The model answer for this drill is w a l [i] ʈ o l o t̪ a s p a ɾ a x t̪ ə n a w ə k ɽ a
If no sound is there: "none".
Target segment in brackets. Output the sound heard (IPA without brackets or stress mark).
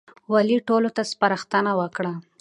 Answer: i